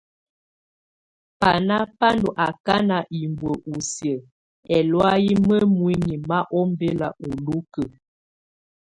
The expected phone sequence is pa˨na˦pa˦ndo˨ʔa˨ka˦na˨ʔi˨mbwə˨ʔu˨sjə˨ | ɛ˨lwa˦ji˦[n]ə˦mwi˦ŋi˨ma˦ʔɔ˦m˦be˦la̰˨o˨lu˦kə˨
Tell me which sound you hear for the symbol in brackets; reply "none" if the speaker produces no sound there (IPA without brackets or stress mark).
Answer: m